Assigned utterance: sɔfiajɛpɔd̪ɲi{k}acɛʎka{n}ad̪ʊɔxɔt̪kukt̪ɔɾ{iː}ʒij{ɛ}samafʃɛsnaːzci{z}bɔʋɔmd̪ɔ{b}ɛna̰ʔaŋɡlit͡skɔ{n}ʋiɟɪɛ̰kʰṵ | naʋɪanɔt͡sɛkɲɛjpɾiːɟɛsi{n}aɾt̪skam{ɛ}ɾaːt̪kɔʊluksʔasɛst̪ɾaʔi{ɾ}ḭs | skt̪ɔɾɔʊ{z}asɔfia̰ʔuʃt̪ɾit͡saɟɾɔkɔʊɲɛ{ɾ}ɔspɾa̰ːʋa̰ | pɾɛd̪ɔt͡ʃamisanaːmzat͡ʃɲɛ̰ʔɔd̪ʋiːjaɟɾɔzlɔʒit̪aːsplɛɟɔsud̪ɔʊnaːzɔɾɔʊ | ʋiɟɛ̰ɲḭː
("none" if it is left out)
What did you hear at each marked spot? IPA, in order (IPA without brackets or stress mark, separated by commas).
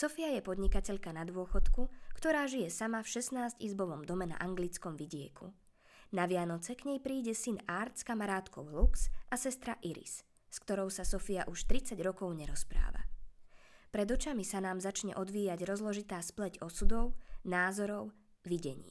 k, n, aː, ɛ, z, m, m, n, a, ɾ, s, ɾ